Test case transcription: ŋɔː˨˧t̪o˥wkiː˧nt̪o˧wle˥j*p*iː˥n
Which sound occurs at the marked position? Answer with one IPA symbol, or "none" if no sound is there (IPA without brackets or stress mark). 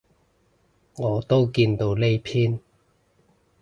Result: pʰ